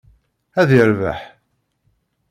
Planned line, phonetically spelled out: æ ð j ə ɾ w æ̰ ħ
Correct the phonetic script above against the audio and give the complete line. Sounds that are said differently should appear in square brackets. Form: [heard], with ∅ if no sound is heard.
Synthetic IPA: æ ð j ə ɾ [v] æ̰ ħ